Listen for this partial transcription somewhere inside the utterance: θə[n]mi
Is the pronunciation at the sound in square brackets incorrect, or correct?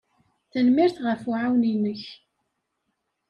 correct